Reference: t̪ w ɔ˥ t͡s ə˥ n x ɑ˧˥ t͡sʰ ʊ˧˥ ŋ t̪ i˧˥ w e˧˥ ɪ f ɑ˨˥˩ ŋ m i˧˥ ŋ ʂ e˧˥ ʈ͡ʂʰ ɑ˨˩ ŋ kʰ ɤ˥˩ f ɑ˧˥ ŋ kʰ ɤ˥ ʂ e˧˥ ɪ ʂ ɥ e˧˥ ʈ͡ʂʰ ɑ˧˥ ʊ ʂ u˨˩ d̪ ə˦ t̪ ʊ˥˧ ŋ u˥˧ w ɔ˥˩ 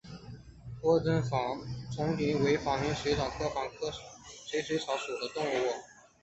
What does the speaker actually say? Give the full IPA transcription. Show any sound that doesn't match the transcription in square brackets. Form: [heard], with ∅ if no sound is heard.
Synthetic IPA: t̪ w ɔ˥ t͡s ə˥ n [f] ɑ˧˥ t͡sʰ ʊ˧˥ ŋ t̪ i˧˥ w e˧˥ ɪ f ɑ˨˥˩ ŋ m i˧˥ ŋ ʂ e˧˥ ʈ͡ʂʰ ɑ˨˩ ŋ kʰ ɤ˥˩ f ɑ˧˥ ŋ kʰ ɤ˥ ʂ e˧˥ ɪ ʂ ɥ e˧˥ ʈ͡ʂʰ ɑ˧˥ ʊ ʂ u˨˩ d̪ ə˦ t̪ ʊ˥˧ ŋ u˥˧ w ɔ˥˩